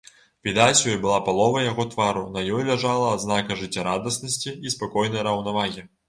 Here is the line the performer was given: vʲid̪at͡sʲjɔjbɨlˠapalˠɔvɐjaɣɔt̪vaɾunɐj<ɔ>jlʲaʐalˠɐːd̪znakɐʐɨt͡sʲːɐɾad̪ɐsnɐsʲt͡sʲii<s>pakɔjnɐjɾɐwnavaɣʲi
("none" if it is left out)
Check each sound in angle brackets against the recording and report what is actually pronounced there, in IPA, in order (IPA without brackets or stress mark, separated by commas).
ɔ, s